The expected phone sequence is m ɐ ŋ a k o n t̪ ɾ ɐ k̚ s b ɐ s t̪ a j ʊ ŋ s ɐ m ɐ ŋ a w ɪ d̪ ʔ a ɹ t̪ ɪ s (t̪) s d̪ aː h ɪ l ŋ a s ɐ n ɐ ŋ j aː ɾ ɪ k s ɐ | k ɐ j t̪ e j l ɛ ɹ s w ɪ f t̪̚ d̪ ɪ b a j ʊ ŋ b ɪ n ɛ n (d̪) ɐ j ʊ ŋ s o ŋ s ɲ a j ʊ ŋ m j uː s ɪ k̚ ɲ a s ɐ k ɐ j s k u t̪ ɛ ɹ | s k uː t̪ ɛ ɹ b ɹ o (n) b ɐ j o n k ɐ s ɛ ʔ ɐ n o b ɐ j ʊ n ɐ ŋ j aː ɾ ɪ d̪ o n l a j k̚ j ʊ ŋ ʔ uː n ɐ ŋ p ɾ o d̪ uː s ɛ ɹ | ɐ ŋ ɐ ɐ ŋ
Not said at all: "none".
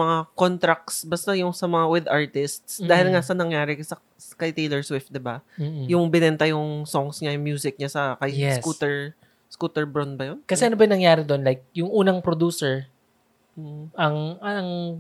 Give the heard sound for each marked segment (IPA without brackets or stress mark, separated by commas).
t̪, t̪, n